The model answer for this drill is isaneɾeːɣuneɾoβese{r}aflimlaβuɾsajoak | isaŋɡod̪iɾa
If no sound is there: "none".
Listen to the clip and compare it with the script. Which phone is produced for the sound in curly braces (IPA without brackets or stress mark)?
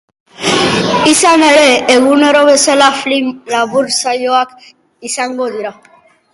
l